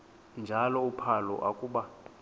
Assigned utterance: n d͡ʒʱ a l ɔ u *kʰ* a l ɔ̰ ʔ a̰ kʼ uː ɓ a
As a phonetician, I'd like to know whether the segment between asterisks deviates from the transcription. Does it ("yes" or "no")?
yes